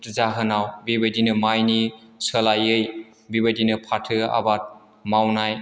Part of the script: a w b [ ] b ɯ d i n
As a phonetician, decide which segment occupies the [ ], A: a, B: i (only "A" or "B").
B